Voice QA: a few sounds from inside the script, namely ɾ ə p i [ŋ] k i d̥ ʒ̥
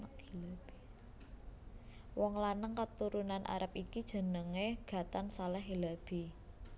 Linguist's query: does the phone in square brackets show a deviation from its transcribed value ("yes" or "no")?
yes